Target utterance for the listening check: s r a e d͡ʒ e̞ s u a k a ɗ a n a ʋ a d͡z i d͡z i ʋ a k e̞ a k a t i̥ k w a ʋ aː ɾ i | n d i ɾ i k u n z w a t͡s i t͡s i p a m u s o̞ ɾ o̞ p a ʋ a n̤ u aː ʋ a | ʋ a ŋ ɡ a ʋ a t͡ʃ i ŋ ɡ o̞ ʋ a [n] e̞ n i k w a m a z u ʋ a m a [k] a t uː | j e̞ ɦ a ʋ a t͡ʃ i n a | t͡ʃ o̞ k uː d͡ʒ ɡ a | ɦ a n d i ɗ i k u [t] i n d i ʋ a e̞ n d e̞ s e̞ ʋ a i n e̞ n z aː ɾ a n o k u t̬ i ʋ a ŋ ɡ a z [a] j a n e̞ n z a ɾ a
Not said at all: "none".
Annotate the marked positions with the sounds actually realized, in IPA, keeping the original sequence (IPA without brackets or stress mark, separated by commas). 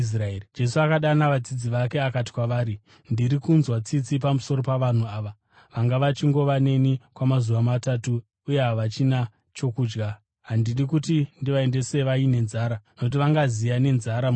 n, t, t, i